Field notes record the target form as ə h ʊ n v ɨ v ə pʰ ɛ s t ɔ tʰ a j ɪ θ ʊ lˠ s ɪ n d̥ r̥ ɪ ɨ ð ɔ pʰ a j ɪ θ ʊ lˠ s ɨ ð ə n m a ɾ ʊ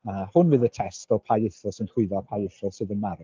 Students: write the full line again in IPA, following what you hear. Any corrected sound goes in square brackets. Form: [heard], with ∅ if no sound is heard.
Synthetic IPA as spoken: ə h ʊ n v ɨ [ð] ə [tʰ] ɛ s t ɔ [pʰ] a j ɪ θ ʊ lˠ s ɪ n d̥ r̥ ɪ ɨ ð ɔ pʰ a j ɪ θ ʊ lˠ s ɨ ð ə n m a ɾ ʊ